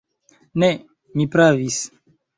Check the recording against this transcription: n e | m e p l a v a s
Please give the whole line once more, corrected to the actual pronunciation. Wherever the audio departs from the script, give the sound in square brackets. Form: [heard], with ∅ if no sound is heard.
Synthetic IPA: n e | m [i] p [ɾ] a v [i] s